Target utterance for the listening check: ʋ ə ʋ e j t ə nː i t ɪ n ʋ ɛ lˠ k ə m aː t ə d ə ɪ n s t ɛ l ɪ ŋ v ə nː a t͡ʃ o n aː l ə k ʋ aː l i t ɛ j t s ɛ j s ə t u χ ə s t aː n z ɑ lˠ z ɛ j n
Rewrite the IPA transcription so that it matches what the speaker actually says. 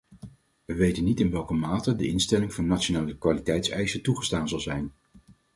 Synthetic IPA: ʋ ə ʋ e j t ə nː i t ɪ n ʋ ɛ lˠ k ə m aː t ə d ə ɪ n s t ɛ l ɪ ŋ v ɑ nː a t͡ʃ o n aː l ə k ʋ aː l i t ɛ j t s ɛ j s ə t u χ ə s t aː n z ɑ lˠ z ɛ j n